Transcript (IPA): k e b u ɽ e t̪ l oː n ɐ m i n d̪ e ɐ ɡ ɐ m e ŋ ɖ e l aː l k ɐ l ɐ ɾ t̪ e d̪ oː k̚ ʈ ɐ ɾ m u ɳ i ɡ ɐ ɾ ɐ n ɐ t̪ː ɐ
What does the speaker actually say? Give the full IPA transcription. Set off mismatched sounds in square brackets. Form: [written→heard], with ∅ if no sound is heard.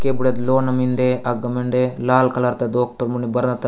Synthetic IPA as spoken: k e b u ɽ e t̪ l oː n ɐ m i n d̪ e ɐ ɡ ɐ m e [ŋ→ɳ] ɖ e l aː l k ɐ l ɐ ɾ t̪ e d̪ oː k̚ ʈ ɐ ɾ m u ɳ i [ɡ→b] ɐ ɾ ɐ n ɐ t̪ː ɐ

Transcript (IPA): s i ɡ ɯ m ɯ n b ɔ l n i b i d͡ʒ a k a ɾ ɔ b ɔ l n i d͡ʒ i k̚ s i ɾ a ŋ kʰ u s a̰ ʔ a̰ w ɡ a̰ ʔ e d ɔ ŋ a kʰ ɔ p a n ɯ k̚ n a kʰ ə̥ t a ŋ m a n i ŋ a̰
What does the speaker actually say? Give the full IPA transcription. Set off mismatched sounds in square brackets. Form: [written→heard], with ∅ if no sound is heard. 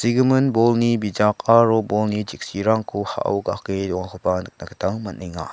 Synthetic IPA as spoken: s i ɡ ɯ m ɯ n b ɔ l n i b i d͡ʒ a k a ɾ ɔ b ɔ l n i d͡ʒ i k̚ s i ɾ a ŋ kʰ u [s→h] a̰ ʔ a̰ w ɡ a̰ [ʔ→k] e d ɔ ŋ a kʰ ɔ p a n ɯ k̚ n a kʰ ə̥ t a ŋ m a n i ŋ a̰

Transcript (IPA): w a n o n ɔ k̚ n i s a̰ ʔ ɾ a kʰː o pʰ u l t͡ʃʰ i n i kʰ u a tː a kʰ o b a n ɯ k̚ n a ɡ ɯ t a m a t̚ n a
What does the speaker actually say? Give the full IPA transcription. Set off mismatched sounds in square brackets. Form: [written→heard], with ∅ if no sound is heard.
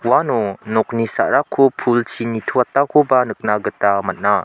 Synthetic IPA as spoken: w a n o n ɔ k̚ n i s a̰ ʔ ɾ a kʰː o pʰ u l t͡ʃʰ i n i [kʰ→tʰ] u a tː a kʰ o b a n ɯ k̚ n a ɡ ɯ t a m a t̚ n a

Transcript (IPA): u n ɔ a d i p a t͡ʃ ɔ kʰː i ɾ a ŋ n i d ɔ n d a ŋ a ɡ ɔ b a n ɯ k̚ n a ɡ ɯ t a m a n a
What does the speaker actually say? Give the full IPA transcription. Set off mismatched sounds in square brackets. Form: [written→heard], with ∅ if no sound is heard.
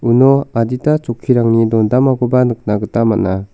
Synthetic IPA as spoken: u n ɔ a d i [p→t] a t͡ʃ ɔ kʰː i ɾ a ŋ n i d ɔ n d a [ŋ→m] a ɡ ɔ b a n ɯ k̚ n a ɡ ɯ t a m a n a

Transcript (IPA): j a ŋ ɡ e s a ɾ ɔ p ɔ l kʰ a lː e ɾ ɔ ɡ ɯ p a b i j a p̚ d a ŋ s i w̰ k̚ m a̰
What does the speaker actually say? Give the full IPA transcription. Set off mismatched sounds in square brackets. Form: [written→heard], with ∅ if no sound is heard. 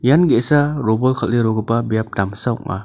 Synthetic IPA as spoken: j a [ŋ→n] ɡ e s a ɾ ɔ [p→b] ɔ l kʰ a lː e ɾ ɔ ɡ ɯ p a b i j a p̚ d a [ŋ→m] s [i→a] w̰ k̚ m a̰

